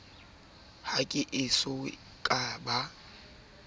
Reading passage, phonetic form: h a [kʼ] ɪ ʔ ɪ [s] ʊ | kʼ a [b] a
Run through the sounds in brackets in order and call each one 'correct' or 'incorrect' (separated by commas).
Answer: correct, correct, correct